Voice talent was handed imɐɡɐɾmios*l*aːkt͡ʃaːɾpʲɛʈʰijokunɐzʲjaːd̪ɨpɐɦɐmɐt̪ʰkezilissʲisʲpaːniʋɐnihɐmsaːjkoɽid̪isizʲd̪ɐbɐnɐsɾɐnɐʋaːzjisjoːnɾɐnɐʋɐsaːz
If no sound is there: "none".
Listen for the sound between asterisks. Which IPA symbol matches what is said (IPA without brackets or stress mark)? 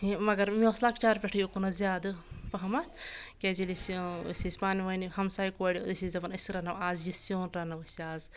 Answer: l